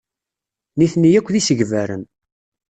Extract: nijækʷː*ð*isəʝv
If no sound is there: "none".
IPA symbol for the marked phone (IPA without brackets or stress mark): ð